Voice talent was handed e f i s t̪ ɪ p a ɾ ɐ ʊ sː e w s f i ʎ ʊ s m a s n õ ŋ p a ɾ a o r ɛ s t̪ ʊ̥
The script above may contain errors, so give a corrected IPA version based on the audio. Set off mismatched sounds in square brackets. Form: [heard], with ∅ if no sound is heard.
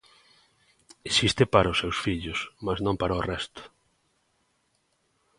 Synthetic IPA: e [s] i s t̪ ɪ p a ɾ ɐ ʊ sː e w s f i ʎ ʊ s m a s n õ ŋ p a ɾ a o r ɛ s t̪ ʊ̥